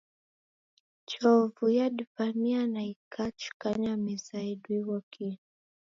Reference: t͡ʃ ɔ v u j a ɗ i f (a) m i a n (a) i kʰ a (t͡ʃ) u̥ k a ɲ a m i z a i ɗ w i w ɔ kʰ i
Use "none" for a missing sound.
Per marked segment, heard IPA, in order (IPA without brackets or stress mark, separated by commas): a, a, t͡ʃ